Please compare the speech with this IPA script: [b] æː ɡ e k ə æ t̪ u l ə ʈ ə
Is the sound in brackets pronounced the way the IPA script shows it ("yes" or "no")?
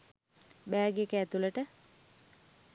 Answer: yes